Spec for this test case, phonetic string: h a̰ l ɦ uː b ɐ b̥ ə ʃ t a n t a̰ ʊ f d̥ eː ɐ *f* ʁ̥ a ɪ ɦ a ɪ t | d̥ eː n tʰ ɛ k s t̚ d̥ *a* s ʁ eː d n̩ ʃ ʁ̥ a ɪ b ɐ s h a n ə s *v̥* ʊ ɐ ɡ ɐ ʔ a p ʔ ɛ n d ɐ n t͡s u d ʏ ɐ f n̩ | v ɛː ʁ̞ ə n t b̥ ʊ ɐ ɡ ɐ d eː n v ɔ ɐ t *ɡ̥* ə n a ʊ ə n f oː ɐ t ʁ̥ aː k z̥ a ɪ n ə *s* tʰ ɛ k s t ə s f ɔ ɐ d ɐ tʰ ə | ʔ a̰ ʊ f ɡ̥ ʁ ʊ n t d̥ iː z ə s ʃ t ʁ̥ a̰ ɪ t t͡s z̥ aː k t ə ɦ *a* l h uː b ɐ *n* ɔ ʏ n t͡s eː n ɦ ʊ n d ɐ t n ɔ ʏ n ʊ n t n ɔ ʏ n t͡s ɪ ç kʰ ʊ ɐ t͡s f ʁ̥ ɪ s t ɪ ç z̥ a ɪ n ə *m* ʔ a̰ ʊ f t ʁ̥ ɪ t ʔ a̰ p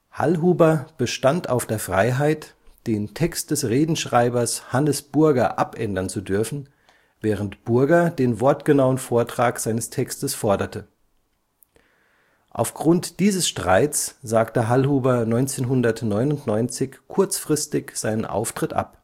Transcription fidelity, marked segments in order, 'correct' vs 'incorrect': correct, incorrect, incorrect, correct, correct, correct, correct, incorrect

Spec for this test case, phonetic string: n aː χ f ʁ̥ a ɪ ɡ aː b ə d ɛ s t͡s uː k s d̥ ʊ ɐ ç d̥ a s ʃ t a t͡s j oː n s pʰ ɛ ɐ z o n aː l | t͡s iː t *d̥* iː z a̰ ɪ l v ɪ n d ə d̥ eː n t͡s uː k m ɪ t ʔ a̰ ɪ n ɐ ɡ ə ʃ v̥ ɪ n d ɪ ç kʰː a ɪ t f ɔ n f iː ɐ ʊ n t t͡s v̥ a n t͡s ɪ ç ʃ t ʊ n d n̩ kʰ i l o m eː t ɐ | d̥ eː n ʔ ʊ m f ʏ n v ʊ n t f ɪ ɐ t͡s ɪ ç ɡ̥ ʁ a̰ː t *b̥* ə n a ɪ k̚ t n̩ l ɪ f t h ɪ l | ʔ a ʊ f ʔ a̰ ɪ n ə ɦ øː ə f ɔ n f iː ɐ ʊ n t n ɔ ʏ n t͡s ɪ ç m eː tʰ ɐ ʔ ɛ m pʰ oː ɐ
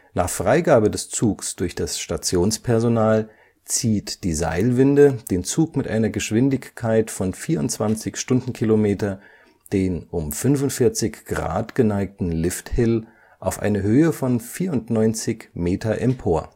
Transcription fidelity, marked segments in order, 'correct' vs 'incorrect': correct, incorrect

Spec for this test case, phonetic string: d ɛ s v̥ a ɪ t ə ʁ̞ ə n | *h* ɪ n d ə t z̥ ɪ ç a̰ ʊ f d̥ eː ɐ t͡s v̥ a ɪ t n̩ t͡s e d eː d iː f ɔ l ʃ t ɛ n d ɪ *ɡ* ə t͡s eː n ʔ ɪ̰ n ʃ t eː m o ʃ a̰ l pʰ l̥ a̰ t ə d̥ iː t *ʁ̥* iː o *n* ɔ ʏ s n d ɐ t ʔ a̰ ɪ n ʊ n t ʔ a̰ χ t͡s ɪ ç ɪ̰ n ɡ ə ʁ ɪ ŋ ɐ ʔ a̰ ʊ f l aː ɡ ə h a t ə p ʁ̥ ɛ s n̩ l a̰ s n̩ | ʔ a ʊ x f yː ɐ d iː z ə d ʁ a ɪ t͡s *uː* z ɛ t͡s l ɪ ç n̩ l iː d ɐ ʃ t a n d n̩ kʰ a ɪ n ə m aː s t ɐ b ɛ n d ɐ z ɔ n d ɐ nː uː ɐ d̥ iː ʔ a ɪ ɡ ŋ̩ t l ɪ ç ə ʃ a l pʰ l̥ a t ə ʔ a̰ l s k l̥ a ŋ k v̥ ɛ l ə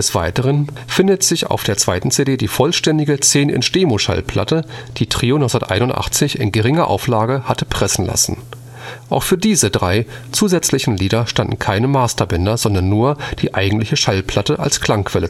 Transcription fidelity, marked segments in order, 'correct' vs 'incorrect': incorrect, correct, correct, correct, correct

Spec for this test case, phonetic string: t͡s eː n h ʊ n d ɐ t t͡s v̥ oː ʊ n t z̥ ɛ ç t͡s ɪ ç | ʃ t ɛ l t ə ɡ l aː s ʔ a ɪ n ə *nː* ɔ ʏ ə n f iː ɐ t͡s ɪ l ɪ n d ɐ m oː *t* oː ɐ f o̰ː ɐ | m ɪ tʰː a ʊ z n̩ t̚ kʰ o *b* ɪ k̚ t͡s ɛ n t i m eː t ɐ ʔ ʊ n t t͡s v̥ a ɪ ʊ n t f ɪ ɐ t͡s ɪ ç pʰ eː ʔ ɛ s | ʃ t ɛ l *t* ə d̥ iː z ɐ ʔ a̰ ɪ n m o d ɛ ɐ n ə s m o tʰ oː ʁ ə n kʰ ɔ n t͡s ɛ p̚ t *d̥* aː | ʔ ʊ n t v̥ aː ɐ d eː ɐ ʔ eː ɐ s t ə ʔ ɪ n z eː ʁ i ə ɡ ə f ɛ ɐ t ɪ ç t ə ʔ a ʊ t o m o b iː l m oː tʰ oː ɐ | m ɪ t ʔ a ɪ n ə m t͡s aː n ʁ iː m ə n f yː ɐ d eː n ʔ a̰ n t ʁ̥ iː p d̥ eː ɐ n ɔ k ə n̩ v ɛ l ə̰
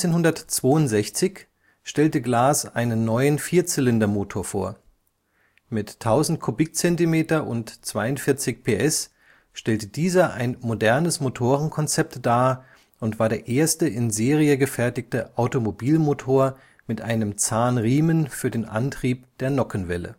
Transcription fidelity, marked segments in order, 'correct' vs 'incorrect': correct, incorrect, correct, correct, correct

